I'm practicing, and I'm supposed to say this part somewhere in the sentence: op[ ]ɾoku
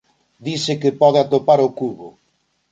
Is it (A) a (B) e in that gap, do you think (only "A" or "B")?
A